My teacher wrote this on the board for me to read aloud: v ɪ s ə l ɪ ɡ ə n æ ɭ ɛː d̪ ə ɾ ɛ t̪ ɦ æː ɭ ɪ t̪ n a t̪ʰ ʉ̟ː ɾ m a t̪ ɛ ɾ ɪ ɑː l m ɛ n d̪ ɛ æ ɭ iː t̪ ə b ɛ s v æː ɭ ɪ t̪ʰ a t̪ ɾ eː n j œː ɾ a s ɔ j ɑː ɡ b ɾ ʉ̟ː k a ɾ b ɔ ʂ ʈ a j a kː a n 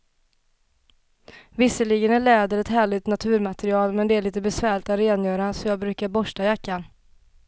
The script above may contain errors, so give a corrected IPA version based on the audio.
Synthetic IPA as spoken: v ɪ s ə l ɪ ɡ ə n æ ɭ ɛː d̪ ə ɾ ɛ t̪ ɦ æː ɭ ɪ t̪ n a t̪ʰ ʉ̟ː ɾ m a t̪ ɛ ɾ ɪ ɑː l m ɛ n d̪ ɛ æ ɭ iː t̪ ə b ɛ s v æː ɭ ɪ t̪ a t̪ ɾ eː n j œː ɾ a s ɔ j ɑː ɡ b ɾ ʉ̟ː k a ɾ b ɔ ʂ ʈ a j a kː a n